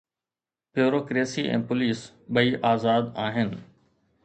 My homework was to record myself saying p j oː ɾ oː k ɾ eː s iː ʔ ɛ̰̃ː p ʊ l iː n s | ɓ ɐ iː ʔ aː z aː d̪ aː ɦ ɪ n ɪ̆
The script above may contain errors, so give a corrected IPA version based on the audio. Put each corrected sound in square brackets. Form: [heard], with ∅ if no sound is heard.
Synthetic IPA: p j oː ɾ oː k ɾ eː s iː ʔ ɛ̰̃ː p ʊ l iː [∅] s | ɓ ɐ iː ʔ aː z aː d̪ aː ɦ ɪ n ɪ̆